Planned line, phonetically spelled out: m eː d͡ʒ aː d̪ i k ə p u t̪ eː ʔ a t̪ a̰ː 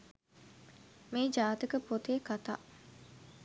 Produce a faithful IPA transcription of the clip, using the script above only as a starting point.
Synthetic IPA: m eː d͡ʒ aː t̪ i k ə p o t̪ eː k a t̪ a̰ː